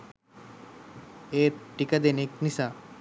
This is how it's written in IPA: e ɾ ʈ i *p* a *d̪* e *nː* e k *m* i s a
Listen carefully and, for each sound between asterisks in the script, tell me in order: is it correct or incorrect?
incorrect, correct, incorrect, incorrect

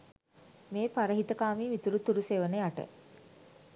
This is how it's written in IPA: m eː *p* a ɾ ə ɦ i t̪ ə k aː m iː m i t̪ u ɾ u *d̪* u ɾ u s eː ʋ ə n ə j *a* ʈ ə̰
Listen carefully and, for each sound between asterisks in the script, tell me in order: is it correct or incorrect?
correct, incorrect, correct

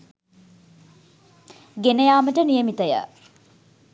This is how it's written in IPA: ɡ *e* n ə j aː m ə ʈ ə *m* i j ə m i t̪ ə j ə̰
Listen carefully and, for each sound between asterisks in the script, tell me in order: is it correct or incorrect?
correct, incorrect

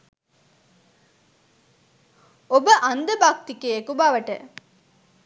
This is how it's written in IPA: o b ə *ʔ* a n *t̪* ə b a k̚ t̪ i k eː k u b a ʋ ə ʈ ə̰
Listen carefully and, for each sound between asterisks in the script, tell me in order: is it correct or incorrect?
correct, incorrect

